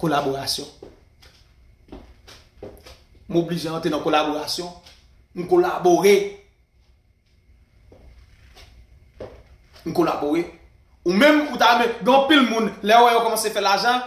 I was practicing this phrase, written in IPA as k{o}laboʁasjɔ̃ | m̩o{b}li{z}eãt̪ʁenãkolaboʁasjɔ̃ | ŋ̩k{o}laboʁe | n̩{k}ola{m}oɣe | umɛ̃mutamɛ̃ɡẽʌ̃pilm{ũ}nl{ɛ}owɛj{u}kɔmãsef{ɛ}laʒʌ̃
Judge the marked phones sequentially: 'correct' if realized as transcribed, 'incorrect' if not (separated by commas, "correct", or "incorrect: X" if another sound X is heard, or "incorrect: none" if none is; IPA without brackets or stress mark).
correct, correct, incorrect: ʒ, correct, correct, incorrect: b, correct, correct, incorrect: o, correct